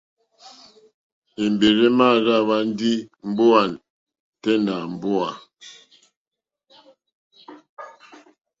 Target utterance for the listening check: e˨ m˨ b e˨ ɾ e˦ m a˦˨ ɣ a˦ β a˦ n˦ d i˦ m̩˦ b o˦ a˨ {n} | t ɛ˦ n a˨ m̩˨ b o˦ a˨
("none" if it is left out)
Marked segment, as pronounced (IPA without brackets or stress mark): n